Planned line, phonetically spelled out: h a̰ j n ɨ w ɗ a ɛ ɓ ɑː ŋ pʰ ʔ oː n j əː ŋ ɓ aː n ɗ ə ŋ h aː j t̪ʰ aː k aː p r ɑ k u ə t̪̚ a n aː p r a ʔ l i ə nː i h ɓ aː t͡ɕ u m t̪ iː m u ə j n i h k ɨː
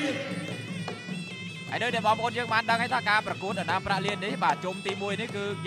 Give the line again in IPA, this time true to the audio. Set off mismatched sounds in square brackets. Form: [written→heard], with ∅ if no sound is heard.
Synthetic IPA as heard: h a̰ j n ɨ w ɗ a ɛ ɓ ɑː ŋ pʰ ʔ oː n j əː ŋ ɓ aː n ɗ ə ŋ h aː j t̪ʰ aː k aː p r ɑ k u ə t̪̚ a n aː p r a ʔ l i ə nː i h ɓ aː t͡ɕ u m t̪ iː m u ə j n i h k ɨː